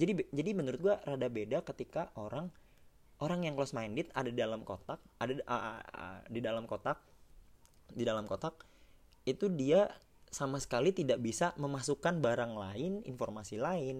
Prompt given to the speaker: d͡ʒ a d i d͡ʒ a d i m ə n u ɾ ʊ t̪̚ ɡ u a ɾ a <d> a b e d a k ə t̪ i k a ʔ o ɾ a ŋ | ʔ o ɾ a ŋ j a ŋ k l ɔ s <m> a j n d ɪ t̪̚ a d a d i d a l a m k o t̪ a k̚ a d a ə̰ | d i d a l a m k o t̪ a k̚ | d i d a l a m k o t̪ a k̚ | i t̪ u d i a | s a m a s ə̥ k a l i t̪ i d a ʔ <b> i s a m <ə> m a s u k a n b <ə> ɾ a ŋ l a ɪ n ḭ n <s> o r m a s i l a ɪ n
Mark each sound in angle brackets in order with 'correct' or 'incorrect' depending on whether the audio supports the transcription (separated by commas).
correct, correct, correct, correct, incorrect, incorrect